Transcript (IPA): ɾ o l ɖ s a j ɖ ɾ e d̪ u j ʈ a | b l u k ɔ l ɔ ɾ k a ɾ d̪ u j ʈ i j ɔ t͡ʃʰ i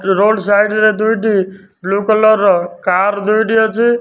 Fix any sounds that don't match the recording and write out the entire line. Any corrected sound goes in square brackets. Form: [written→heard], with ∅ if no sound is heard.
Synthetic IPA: ɾ o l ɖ s a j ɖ ɾ e d̪ u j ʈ [a→i] | b l u k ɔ l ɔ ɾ k a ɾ d̪ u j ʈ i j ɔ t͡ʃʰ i